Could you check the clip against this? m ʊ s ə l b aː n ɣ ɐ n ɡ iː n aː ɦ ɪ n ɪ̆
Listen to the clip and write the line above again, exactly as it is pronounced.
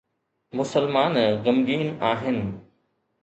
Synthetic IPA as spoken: m ʊ s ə l m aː n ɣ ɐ m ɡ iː n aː ɦ ɪ n ɪ̆

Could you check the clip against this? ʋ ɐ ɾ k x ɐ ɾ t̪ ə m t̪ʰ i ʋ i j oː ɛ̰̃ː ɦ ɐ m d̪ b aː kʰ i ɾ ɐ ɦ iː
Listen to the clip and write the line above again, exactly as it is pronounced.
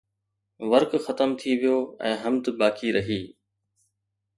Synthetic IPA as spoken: ʋ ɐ ɾ k x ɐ t̪ ə m t̪ʰ i ʋ i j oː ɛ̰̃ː ɦ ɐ m d̪ b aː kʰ i ɾ ɐ ɦ iː

